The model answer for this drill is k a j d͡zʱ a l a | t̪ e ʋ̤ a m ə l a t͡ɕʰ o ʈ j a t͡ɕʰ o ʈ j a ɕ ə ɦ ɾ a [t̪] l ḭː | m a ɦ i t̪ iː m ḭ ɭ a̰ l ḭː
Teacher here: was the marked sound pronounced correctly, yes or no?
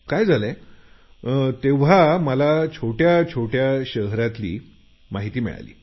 yes